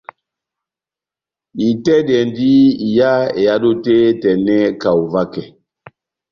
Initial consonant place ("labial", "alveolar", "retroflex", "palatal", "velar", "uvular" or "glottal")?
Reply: alveolar